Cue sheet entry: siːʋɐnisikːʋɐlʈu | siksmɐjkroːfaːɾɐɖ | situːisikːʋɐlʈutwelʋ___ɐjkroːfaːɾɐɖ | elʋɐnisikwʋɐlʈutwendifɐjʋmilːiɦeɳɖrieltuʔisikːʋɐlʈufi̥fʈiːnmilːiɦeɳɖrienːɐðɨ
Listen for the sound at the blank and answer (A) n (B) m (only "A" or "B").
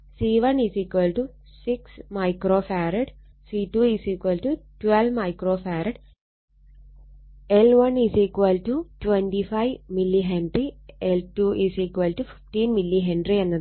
B